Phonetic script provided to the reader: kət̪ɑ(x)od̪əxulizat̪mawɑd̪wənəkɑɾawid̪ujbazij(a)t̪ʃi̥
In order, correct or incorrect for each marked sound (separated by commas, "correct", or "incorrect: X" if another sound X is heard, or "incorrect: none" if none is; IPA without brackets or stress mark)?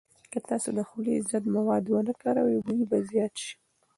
incorrect: s, incorrect: ɑ